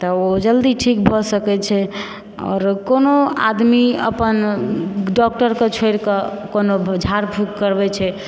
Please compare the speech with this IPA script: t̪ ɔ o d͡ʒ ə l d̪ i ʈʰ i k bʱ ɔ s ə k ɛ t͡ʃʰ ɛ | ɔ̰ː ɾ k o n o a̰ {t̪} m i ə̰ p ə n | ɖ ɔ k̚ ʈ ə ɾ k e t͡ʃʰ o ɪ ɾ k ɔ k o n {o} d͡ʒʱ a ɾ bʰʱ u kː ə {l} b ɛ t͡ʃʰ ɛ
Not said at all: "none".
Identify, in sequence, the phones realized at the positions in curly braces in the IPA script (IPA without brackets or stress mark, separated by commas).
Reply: d̪, o, ɾ